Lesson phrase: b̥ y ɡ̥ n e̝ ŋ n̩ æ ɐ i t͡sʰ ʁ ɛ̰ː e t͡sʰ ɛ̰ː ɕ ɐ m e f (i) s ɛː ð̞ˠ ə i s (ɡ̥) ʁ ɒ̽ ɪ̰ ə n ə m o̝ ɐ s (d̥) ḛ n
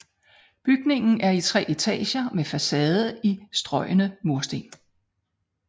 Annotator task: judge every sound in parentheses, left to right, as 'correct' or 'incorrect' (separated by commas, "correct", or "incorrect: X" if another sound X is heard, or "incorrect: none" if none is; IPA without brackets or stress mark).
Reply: incorrect: æ, incorrect: d̥, correct